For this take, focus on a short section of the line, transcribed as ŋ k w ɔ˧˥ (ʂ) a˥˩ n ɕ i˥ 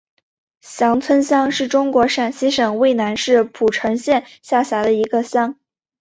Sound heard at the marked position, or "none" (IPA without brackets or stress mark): ʂ